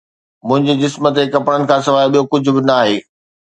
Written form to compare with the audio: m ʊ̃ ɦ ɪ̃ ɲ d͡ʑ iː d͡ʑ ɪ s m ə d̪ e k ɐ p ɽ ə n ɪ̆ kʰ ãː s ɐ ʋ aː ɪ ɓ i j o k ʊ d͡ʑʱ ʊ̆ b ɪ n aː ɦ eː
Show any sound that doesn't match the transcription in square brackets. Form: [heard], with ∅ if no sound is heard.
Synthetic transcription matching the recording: m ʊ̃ ɦ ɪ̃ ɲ d͡ʑ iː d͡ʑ ɪ s m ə [t̪] e k ɐ p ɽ ə n ɪ̆ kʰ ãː s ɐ ʋ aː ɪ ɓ i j o k ʊ d͡ʑʱ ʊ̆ b ɪ n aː ɦ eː